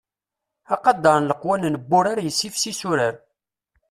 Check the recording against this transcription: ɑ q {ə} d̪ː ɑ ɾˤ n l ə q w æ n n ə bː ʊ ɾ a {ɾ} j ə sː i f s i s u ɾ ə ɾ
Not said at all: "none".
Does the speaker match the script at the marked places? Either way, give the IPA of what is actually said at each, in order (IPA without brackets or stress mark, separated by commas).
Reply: ɑ, ɾ